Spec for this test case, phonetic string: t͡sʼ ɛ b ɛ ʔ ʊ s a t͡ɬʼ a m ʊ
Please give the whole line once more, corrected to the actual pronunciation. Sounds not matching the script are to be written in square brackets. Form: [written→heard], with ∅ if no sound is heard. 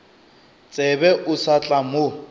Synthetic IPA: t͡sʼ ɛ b ɛ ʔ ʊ s a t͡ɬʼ a m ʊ